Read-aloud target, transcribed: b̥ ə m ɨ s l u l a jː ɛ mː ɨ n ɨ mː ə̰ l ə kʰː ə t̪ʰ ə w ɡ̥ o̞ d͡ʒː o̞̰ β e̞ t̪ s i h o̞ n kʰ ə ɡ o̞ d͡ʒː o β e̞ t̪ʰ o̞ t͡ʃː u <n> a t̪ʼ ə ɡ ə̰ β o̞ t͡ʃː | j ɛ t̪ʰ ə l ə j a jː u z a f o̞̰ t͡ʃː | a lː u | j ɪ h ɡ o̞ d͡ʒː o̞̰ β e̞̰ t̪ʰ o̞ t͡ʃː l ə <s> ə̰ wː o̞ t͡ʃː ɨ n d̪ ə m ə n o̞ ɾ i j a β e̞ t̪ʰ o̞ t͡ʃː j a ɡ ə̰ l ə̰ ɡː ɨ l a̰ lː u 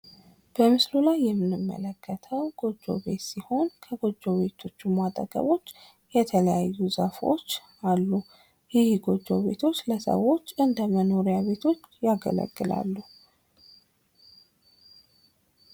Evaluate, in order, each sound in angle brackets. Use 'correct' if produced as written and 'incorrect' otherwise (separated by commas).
incorrect, correct